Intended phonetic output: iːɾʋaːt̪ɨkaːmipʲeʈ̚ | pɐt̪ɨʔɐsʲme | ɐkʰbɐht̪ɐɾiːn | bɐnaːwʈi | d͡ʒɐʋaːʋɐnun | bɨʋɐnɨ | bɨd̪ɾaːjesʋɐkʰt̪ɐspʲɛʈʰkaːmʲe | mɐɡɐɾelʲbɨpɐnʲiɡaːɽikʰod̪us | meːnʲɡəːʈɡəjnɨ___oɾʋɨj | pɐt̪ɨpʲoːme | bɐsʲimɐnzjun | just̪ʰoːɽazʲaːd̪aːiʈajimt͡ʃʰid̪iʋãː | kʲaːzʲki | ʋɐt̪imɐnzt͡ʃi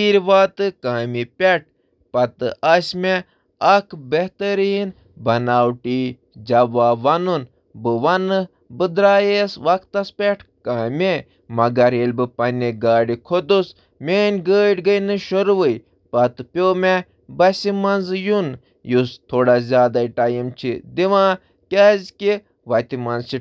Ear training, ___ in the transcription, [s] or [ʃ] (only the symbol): ʃ